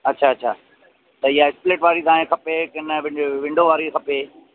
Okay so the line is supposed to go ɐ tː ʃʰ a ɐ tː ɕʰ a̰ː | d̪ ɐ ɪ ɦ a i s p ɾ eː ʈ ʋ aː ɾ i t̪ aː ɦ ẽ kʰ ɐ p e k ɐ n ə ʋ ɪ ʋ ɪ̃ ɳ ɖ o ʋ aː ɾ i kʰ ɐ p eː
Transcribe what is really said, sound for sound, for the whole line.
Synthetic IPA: ɐ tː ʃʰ a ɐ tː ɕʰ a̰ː | t̪ ɐ ɪ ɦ a ɪ s p l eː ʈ ʋ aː ɾ i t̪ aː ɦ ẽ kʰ ɐ p e k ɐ n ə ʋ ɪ ʋ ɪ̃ ɳ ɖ o ʋ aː ɾ i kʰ ɐ p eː